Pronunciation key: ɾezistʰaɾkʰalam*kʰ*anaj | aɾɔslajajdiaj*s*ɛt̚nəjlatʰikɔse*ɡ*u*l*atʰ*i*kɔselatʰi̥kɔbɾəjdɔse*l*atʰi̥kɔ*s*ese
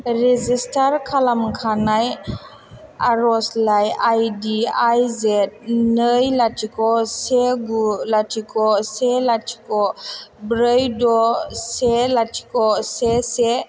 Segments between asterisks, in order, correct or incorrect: correct, incorrect, correct, correct, correct, correct, correct

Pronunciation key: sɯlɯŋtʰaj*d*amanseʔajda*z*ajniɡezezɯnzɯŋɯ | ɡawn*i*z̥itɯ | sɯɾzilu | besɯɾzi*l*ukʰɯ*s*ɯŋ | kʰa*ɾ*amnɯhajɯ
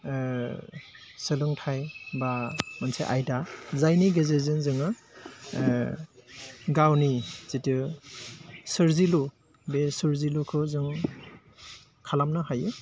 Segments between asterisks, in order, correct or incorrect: incorrect, correct, correct, correct, incorrect, incorrect

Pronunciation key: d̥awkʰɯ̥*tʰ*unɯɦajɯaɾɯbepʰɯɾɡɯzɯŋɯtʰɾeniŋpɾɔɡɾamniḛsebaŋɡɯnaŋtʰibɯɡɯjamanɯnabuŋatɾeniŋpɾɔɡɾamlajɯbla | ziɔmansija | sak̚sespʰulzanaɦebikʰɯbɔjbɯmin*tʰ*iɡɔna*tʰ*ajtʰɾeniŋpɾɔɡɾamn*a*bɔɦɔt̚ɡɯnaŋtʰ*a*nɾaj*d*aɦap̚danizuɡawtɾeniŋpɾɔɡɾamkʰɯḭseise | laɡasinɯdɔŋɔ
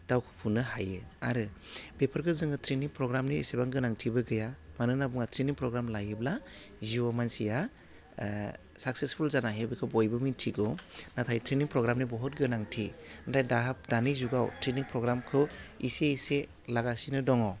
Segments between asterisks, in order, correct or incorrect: incorrect, correct, correct, incorrect, incorrect, correct

